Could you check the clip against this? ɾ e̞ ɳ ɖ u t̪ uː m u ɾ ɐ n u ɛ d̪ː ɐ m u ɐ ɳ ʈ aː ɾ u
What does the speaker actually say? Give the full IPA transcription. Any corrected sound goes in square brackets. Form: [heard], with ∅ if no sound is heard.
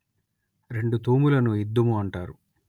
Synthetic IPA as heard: ɾ e̞ ɳ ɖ u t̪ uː m u [l] ɐ n u [i] d̪ː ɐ m u ɐ ɳ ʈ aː ɾ u